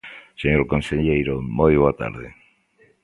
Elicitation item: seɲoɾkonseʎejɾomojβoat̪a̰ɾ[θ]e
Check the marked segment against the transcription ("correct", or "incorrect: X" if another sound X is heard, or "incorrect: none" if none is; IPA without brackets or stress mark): incorrect: ð